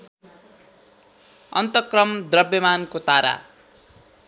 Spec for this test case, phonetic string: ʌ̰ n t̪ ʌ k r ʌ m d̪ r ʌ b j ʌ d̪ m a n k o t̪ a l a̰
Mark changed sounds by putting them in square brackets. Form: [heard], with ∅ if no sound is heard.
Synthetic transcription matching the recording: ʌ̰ n t̪ ʌ k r ʌ m d̪ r ʌ b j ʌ [∅] m a n k o t̪ a [ɾ] a̰